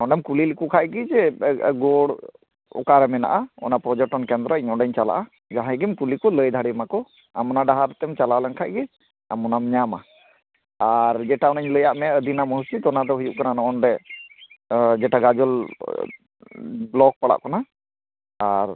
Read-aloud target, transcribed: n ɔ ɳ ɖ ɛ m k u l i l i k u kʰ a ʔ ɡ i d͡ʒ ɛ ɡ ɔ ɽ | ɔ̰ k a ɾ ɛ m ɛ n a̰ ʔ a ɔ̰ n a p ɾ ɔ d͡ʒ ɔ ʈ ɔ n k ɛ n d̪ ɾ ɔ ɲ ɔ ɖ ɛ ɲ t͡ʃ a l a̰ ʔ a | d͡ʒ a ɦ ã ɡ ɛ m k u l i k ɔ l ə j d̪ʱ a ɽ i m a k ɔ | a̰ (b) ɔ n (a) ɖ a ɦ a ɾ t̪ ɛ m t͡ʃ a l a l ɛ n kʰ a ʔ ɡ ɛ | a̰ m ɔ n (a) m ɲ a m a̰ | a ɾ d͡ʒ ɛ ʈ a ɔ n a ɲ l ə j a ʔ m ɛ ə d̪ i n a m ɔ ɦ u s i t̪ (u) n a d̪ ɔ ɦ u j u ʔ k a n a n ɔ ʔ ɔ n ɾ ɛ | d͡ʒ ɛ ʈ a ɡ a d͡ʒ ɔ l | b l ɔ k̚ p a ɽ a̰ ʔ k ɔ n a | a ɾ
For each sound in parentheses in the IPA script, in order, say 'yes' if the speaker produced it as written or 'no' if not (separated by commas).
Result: no, yes, yes, no